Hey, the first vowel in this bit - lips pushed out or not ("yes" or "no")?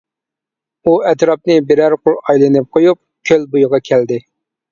yes